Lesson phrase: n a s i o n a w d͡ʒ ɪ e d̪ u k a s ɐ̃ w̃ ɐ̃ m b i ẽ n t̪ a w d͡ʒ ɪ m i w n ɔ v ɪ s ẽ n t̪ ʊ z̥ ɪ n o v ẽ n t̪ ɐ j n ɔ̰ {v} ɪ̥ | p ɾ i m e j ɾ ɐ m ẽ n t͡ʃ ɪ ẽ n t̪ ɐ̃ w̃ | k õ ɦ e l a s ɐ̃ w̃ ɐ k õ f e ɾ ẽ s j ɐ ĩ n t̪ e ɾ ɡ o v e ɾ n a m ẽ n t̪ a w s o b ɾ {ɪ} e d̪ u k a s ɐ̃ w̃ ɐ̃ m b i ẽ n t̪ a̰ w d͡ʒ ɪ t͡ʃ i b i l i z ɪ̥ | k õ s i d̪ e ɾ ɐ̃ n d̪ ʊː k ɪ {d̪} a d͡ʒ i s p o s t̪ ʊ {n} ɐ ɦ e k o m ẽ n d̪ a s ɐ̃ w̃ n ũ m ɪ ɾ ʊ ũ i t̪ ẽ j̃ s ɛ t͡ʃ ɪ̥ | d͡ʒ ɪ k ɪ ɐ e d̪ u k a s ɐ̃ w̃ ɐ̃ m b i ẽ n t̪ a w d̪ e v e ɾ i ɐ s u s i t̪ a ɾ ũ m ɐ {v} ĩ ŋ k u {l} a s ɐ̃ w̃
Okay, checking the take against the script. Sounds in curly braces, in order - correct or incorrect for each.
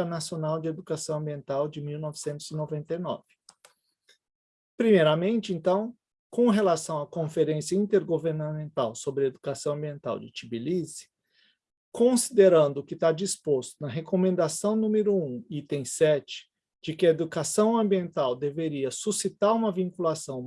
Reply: correct, correct, incorrect: t̪, correct, correct, correct

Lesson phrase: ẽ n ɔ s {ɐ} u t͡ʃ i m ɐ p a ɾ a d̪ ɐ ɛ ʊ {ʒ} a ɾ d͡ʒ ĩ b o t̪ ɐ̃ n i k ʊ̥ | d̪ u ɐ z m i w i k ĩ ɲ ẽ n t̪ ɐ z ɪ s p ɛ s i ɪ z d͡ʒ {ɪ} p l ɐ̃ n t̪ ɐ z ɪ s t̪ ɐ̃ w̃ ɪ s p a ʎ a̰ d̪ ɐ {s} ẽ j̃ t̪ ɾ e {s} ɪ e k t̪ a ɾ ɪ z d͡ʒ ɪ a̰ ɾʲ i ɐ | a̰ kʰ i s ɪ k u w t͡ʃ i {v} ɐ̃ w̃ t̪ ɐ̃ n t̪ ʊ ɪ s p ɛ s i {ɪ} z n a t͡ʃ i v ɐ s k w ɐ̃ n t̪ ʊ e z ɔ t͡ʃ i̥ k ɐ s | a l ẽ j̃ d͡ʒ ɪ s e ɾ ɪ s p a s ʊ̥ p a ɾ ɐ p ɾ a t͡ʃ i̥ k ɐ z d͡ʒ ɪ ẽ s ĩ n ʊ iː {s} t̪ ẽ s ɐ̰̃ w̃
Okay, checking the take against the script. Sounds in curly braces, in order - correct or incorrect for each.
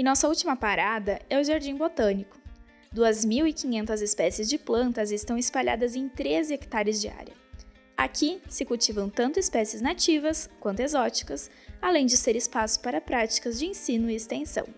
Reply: correct, correct, correct, incorrect: z, incorrect: z, correct, correct, correct

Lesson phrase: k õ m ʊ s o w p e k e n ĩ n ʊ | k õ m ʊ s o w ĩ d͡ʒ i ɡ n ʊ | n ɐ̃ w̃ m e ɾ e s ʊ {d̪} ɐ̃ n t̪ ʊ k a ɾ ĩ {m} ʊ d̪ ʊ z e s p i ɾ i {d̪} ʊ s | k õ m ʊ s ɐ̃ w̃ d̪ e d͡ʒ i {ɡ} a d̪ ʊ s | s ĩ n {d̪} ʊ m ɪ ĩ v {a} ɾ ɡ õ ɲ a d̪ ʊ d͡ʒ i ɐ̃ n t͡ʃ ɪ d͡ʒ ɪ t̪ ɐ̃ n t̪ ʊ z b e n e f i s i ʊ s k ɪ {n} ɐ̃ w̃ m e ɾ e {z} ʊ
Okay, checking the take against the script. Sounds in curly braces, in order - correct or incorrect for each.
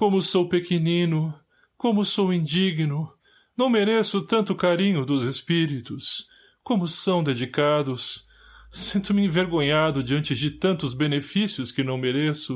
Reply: incorrect: t̪, incorrect: ɲ, incorrect: t̪, incorrect: k, incorrect: t̪, incorrect: e, correct, incorrect: s

